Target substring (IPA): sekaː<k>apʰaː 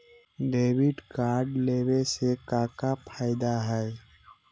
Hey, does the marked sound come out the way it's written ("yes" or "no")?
yes